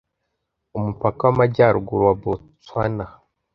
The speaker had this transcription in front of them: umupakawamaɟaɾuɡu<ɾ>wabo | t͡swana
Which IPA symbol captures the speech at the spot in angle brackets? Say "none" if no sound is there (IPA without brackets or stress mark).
ɾ